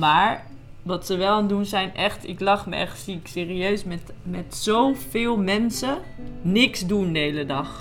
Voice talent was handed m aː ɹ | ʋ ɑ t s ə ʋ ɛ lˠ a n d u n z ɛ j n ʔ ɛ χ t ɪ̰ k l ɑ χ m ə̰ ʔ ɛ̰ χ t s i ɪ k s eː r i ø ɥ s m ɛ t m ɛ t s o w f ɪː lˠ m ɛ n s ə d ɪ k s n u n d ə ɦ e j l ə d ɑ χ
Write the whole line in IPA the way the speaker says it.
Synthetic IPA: m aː ɹ | ʋ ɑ t s ə ʋ ɛ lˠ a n d u n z ɛ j n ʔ ɛ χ t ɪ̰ k l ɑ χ m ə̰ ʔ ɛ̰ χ t s i ɪ k s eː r i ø ɥ s m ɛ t m ɛ t s o w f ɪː lˠ m ɛ n s ə n ɪ k s d u n d ə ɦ e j l ə d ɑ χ